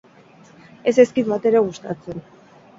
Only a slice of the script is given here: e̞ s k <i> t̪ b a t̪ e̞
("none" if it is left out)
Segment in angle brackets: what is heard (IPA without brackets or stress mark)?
i